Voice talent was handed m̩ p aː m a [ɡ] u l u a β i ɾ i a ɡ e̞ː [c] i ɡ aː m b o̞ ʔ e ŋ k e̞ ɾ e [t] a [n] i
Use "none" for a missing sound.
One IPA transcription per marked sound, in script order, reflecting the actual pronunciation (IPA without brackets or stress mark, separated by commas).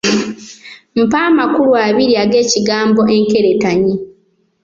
k, c, t, ɲ